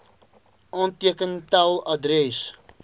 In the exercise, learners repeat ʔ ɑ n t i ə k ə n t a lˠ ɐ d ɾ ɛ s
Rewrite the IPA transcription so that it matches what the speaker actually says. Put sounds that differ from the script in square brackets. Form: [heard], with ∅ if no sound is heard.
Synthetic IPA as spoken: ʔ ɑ n t i ə k ə n t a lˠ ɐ d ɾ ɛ s